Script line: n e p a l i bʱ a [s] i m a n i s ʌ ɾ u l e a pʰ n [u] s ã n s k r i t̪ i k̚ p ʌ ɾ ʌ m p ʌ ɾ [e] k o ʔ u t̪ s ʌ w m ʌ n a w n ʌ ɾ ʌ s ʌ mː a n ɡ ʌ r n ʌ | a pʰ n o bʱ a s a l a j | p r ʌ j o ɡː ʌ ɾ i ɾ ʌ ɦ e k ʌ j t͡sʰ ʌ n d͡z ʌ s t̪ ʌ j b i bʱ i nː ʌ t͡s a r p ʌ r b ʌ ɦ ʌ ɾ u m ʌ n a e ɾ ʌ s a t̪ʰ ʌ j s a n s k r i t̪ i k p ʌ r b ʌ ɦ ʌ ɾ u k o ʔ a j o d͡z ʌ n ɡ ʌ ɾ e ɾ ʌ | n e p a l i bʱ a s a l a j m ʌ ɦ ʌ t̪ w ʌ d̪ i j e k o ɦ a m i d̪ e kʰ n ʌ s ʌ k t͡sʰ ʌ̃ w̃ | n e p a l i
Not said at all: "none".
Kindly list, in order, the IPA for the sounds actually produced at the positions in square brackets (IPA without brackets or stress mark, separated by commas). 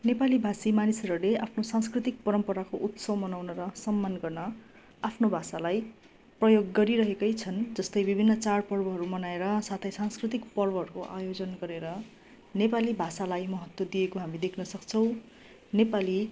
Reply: s, o, a